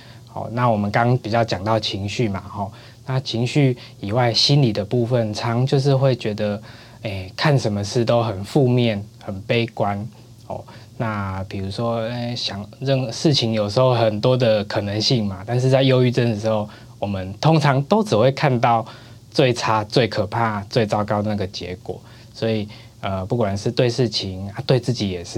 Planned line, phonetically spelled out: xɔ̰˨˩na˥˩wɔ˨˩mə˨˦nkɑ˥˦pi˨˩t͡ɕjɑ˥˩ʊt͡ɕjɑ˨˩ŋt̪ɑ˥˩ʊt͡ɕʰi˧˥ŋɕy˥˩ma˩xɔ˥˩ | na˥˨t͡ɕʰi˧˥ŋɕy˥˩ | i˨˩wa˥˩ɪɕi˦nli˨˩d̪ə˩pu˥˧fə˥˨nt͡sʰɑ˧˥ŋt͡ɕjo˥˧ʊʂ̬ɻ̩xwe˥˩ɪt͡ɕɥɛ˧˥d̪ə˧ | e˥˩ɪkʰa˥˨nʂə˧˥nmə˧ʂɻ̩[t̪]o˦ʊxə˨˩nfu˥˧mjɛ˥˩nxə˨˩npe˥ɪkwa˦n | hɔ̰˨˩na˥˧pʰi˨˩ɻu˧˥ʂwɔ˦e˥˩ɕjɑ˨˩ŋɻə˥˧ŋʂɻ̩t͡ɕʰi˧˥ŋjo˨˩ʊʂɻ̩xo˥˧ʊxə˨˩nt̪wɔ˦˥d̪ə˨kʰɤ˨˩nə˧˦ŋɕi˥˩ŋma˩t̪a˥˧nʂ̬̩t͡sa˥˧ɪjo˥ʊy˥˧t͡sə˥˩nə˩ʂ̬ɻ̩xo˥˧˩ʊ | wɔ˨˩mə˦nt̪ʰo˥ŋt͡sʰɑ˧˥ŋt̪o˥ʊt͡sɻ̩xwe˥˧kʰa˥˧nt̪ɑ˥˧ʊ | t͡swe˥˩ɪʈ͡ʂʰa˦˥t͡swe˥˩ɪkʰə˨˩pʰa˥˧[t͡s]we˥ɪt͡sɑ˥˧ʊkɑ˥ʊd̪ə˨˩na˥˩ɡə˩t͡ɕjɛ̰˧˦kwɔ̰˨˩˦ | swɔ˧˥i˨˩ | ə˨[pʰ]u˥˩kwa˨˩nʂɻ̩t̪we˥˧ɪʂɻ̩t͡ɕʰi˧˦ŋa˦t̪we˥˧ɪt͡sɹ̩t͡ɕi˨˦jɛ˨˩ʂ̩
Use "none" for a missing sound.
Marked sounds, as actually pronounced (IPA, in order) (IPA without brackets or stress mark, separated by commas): t̪, t͡s, p